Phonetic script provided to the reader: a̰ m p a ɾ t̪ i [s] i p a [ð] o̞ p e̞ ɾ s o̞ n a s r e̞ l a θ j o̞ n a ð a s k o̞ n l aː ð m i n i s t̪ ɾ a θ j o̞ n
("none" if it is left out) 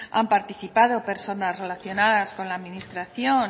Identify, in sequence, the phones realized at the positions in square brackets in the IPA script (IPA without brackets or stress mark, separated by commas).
θ, ð